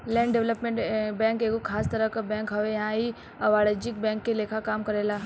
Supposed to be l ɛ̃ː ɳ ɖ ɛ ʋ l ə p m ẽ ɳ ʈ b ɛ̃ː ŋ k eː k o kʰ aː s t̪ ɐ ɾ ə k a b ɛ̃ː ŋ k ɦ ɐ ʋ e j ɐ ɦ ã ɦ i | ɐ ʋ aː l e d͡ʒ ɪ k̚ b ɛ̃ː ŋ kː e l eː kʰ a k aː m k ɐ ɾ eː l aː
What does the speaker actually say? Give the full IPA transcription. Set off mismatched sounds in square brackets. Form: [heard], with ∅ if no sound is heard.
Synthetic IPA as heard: l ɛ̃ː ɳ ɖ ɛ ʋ l ə p m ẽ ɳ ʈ b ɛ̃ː ŋ k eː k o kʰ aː s t̪ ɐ ɾ ə k a b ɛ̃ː ŋ k ɦ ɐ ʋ e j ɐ ɦ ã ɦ i | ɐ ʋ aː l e d͡ʒ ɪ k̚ b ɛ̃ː ŋ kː e l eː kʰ a k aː m k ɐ ɾ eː l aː